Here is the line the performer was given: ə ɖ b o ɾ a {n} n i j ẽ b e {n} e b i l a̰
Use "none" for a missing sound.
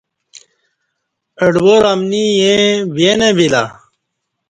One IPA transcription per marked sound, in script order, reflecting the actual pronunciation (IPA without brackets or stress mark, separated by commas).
m, n